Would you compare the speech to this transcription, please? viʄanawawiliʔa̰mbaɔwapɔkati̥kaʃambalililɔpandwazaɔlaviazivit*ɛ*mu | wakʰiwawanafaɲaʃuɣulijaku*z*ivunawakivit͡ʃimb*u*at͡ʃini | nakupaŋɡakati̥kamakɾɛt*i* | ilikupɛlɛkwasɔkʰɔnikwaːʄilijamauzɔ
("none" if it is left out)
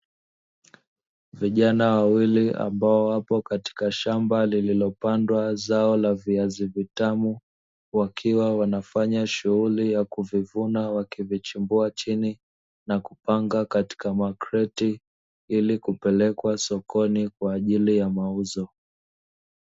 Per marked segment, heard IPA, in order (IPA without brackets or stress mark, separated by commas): a, v, u, i